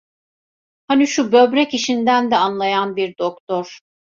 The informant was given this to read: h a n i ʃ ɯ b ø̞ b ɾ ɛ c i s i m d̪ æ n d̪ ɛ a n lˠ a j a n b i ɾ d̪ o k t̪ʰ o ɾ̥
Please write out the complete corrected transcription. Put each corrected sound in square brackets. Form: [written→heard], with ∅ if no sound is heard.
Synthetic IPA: h a n i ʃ [ɯ→u] b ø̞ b ɾ ɛ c i [s→ʃ] i [m→n] d̪ æ n d̪ ɛ a n lˠ a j a n b i ɾ d̪ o k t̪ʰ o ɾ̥

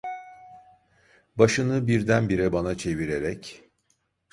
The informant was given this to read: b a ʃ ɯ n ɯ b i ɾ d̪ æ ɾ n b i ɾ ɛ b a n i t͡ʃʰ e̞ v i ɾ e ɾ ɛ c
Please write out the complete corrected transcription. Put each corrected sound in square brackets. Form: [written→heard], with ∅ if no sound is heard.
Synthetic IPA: b a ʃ ɯ n ɯ b i ɾ d̪ æ [ɾ→∅] n b i ɾ ɛ b a n [i→a] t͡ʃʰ e̞ v i ɾ e ɾ ɛ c

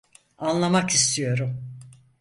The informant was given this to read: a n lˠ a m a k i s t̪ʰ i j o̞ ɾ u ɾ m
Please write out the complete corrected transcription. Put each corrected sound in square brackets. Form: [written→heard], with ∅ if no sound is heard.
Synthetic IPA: a n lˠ a m a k i s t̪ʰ i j o̞ ɾ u [ɾ→∅] m

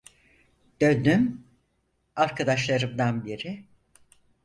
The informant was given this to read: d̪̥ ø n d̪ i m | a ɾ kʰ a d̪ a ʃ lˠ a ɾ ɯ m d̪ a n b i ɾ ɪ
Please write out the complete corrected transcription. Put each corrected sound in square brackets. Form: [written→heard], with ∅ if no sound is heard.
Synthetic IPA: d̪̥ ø n d̪ [i→y] m | a ɾ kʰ a d̪ a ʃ lˠ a ɾ ɯ m d̪ a n b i ɾ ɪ

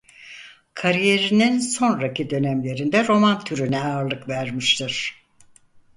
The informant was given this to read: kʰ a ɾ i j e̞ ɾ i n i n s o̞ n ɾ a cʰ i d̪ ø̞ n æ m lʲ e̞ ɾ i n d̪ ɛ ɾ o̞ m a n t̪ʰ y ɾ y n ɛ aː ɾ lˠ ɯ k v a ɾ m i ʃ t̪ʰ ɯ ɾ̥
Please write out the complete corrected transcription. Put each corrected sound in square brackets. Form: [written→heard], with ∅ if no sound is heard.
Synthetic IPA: kʰ a ɾ i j e̞ ɾ i n i n s o̞ n ɾ a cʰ i d̪ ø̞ n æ m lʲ e̞ ɾ i n d̪ ɛ ɾ o̞ m a n t̪ʰ y ɾ y n ɛ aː ɾ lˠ ɯ k v [a→æ] ɾ m i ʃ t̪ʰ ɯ ɾ̥

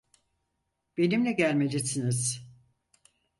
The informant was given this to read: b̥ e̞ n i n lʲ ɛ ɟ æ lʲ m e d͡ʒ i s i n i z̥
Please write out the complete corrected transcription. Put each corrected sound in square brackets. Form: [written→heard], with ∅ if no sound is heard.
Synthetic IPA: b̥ e̞ n i [n→m] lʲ ɛ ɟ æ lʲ m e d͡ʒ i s i n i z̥

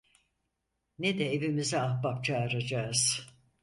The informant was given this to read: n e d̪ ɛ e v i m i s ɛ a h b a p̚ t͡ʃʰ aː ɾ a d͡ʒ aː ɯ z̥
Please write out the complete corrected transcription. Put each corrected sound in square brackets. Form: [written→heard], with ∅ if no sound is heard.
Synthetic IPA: n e d̪ ɛ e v i m i [s→z] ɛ a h b a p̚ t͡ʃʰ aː ɾ a d͡ʒ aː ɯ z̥

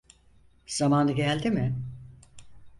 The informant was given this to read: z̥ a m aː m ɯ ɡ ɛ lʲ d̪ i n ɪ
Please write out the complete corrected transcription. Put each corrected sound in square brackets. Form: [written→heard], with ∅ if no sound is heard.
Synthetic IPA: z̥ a m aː [m→n] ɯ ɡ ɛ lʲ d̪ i [n→m] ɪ

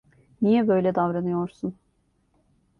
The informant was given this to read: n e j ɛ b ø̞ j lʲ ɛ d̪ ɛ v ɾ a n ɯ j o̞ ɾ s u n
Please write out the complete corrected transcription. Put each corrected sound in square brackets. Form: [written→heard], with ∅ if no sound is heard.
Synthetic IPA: n [e→i] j ɛ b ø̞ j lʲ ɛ d̪ [ɛ→a] v ɾ a n ɯ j o̞ ɾ s u n

